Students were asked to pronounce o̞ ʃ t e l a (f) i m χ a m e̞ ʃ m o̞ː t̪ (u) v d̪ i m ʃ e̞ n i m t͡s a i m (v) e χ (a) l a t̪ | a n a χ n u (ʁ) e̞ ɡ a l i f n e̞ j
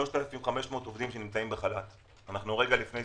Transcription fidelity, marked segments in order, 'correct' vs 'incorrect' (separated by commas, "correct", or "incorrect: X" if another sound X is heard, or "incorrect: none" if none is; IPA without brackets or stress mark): correct, incorrect: o, incorrect: b, correct, correct